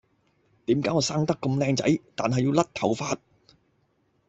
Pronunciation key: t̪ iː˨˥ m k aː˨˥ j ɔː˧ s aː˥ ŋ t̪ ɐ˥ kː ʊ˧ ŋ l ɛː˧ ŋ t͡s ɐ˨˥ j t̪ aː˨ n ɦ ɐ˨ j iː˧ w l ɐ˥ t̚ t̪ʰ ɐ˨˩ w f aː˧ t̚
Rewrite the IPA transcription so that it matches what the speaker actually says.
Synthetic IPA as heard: t̪ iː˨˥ m k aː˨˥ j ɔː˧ s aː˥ ŋ t̪ ɐ˥ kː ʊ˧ m l ɛː˧ ŋ t͡s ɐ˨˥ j t̪ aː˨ n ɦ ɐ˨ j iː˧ w l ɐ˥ t̚ t̪ʰ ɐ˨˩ w f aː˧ t̚

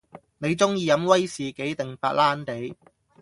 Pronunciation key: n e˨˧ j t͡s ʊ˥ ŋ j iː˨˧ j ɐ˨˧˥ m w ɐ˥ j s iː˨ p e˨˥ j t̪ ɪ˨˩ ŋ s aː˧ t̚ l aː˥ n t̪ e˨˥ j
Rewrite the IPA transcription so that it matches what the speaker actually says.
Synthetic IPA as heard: n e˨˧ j t͡s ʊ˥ ŋ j iː˨˧ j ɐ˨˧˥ m w ɐ˥ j s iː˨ k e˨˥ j t̪ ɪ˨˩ ŋ f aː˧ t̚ l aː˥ n t̪ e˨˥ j

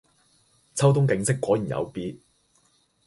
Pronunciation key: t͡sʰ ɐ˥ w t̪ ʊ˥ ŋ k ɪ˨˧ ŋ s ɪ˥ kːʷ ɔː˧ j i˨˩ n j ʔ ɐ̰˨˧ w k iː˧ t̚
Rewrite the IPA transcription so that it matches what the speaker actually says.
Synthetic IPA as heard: t͡sʰ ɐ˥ w t̪ ʊ˥ ŋ k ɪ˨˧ ŋ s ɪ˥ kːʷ ɔː˨˥ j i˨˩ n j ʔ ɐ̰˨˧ w p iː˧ t̚

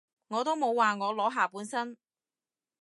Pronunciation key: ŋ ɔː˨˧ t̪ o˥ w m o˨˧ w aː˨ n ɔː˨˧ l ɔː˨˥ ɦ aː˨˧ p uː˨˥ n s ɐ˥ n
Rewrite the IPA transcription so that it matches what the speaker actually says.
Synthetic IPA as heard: ŋ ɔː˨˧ t̪ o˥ w m o˨˧ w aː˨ ŋ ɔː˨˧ l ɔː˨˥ ɦ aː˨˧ p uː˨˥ n s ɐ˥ n

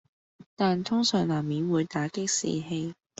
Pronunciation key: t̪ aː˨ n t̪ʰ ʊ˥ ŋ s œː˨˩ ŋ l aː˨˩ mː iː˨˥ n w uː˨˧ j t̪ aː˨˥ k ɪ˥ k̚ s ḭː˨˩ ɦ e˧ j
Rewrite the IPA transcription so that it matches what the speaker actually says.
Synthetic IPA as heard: t̪ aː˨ n t̪ʰ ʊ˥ ŋ s œː˨˩ ŋ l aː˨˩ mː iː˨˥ n w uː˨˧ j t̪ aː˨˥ k ɪ˥ k̚ s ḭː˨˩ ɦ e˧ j

